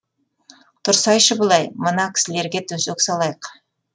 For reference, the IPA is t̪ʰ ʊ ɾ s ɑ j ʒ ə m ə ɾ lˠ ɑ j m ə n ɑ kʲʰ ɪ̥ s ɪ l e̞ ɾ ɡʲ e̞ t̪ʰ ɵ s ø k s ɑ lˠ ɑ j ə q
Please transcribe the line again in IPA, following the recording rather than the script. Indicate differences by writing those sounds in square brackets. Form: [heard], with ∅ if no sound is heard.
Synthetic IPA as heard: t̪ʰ ʊ ɾ s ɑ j [ʃ] ə [b] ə [∅] lˠ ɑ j m ə n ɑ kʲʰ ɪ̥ s ɪ l e̞ ɾ ɡʲ e̞ t̪ʰ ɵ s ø k s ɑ lˠ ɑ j ə q